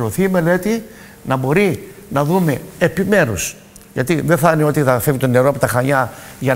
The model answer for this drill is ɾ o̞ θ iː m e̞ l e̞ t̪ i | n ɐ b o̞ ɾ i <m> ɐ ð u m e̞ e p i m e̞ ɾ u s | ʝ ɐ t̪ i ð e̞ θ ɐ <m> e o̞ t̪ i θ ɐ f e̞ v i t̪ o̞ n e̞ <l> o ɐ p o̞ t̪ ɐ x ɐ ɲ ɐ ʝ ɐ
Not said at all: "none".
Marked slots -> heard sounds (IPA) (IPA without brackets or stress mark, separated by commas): n, n, ɾ